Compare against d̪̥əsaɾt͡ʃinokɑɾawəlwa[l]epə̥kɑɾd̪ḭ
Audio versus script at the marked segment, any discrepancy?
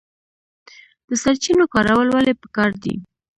no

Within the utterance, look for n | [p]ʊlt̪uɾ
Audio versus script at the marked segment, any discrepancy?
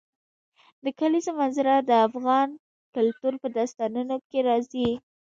yes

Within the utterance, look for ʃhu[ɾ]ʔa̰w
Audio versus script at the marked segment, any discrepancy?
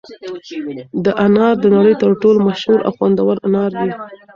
no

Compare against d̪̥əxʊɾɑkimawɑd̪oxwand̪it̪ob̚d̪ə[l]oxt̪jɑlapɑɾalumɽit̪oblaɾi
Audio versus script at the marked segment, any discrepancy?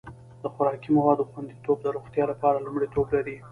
yes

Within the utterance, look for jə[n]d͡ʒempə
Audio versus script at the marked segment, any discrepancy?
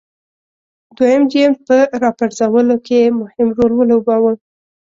yes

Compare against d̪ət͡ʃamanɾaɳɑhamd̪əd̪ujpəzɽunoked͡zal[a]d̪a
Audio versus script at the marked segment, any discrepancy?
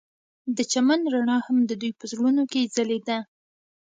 yes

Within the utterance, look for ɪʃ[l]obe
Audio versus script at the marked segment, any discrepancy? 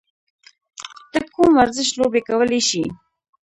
no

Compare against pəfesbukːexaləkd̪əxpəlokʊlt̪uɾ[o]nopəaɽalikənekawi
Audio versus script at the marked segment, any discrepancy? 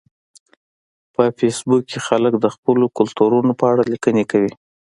yes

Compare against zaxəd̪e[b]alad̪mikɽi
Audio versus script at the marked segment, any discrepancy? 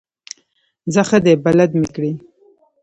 no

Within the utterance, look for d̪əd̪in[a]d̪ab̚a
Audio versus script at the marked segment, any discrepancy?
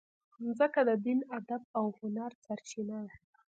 no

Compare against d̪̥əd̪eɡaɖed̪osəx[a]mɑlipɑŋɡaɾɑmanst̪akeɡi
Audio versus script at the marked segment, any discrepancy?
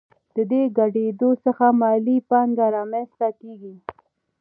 no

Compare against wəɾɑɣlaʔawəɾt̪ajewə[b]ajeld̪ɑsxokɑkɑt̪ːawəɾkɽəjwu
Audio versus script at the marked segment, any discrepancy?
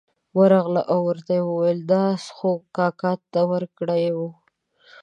yes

